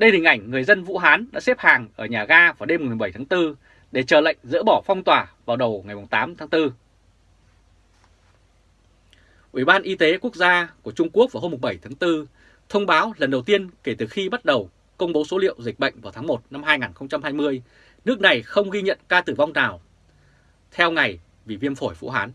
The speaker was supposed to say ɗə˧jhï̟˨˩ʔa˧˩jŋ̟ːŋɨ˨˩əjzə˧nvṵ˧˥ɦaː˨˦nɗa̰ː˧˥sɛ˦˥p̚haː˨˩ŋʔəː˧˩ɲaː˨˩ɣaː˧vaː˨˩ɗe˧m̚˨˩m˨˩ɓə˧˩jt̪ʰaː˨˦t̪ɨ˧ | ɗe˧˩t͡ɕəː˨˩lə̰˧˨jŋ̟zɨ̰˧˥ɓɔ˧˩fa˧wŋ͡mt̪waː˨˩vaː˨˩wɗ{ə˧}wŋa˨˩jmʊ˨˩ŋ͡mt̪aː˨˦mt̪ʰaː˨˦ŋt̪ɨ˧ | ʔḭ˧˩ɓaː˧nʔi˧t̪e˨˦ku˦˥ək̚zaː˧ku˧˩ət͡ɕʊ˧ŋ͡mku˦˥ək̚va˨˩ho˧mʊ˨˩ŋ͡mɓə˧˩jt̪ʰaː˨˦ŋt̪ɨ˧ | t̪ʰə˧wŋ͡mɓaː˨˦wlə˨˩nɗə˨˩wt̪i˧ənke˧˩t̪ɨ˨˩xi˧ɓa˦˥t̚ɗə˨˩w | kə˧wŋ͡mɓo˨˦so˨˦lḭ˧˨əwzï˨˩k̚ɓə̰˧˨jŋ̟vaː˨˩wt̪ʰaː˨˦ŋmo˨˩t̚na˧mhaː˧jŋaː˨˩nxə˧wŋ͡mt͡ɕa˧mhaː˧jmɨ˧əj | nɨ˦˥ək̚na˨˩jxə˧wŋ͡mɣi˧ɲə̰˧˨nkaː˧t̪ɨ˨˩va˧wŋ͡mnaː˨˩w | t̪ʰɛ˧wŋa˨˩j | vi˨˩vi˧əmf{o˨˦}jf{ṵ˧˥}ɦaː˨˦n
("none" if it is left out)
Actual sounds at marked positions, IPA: ə˨˩, o˧˩, ṵ˧˥

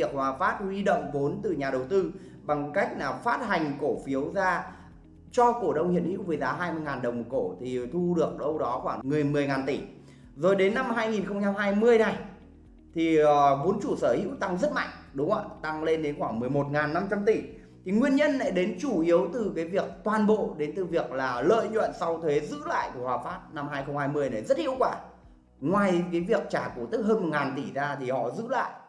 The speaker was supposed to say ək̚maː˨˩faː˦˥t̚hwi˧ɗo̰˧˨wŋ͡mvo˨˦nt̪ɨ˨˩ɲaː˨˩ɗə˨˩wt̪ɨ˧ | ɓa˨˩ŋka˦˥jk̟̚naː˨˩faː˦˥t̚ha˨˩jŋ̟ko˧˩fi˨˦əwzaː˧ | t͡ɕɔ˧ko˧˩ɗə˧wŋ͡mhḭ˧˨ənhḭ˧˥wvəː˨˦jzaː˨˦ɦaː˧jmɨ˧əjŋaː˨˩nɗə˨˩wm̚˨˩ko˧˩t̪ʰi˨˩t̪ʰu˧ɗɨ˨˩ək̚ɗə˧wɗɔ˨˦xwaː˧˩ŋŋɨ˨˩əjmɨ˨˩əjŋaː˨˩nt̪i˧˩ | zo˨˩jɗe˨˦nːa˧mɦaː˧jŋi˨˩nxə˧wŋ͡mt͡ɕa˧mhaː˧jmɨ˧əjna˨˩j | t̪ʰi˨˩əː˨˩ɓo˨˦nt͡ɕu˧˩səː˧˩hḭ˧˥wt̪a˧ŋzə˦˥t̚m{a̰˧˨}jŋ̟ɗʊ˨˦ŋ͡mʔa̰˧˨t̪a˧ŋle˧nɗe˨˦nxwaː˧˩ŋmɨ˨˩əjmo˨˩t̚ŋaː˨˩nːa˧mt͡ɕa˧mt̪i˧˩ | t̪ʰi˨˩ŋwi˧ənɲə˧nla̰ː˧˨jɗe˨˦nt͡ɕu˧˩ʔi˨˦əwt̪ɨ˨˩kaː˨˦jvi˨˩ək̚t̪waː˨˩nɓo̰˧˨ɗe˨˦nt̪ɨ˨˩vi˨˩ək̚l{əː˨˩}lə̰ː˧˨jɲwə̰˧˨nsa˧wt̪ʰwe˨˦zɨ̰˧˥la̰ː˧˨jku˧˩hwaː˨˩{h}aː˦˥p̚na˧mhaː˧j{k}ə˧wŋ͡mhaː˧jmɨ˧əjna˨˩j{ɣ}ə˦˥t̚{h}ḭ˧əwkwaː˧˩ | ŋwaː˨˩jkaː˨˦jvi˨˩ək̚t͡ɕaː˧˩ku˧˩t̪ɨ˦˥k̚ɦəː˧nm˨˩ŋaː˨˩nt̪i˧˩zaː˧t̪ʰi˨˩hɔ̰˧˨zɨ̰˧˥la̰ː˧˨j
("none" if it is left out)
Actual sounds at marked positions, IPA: a̰˧˨, aː˨˩, f, x, z, h

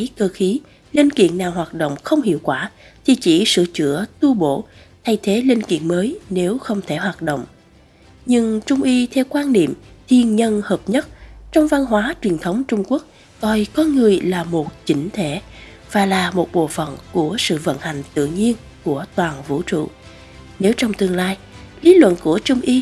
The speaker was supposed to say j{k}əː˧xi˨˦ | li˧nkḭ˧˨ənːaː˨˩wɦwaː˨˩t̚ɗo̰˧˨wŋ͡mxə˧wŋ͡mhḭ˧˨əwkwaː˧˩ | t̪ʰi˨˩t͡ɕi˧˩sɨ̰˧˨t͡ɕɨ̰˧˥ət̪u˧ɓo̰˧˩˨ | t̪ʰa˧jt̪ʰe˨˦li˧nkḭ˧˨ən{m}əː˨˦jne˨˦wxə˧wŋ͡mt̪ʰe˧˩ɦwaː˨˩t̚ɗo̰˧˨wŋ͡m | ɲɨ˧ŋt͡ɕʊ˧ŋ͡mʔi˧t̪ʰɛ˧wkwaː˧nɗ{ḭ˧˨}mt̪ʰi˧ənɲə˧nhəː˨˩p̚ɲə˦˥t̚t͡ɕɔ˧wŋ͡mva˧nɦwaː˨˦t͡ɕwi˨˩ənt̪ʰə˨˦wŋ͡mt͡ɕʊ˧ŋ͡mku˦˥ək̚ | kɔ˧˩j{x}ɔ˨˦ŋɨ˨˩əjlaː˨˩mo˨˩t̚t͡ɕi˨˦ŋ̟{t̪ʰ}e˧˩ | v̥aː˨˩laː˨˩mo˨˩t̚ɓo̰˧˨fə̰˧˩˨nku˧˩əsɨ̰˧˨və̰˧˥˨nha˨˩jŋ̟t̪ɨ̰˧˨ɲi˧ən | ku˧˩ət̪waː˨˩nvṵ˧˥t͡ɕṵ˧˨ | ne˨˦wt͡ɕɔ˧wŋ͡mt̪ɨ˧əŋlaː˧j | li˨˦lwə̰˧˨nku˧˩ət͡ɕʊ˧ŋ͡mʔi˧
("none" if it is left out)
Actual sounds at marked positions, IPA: k, m, ḭ˧˨, k, t̪ʰ

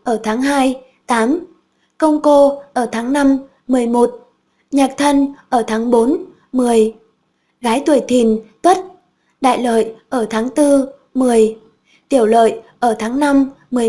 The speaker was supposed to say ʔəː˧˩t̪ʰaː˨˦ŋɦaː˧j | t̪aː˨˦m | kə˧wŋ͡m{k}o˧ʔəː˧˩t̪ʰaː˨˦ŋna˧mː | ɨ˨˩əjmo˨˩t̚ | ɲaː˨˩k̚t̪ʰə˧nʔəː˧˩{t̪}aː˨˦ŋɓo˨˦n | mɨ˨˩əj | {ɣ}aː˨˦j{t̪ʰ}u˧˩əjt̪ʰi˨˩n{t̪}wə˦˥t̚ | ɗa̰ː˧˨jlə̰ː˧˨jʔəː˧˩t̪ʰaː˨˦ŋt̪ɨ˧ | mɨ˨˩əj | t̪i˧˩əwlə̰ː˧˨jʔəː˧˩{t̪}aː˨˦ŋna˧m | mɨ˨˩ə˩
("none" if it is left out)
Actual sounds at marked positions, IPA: k, t̪ʰ, ɣ, t̪, t̪, t̪ʰ

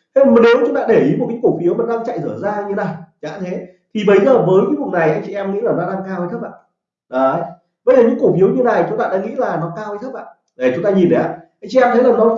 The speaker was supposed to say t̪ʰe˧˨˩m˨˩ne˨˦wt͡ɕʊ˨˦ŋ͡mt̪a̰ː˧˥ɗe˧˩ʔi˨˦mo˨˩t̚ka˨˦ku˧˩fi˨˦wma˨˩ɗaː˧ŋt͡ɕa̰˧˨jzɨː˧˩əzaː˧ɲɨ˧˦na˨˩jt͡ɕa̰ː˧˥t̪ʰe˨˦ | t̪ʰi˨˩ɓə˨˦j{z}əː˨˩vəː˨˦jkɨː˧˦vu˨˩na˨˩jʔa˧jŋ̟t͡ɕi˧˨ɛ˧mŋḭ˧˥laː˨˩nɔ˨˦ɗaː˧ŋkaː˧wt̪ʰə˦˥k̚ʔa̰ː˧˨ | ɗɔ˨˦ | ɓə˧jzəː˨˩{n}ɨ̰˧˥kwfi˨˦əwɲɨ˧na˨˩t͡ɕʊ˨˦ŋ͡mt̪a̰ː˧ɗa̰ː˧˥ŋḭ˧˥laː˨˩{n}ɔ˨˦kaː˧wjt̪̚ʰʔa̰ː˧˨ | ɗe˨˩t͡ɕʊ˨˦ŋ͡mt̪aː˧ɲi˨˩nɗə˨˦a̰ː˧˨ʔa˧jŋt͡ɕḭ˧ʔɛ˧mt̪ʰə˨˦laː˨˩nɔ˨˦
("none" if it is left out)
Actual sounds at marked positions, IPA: z, ɲ, n

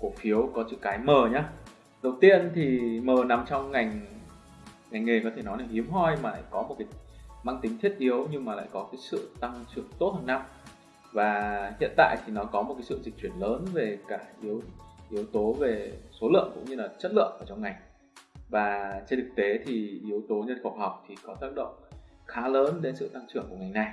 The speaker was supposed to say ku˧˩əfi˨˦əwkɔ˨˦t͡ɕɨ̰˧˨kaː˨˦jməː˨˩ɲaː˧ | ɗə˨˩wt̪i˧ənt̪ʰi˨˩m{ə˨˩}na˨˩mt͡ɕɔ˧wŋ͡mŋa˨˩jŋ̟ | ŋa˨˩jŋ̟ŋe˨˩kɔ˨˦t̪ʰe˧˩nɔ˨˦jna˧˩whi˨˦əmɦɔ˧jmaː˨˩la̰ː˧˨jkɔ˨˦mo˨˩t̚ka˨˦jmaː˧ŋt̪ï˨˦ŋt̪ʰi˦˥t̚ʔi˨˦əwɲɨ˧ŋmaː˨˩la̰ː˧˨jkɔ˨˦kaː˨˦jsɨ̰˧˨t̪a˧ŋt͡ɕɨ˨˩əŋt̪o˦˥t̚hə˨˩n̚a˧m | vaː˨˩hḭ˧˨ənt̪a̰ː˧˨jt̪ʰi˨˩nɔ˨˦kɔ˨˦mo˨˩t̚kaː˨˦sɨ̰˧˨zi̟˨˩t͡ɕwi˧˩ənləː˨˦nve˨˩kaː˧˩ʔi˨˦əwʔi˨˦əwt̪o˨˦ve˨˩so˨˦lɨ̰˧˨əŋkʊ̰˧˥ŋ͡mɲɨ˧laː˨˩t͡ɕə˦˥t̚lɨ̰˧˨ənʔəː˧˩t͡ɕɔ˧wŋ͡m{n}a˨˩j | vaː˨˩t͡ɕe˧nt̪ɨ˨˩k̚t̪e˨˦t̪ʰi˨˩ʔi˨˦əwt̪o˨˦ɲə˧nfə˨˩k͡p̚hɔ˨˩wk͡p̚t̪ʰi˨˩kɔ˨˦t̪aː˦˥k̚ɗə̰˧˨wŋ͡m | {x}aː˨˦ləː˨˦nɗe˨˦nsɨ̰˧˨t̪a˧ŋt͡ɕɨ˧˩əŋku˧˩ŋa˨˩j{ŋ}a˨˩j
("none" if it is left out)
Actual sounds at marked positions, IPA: əː˨˩, ŋ, x, n

